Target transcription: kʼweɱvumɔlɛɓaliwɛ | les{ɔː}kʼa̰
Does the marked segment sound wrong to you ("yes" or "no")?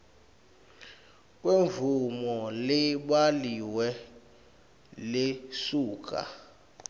yes